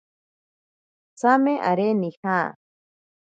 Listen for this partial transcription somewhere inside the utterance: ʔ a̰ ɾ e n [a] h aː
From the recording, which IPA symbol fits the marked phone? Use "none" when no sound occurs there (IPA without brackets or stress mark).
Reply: i